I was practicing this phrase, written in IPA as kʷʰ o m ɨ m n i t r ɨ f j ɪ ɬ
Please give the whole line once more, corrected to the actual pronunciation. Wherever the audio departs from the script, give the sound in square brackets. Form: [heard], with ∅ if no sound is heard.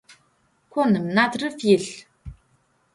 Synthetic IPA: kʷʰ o [n] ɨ m n [a] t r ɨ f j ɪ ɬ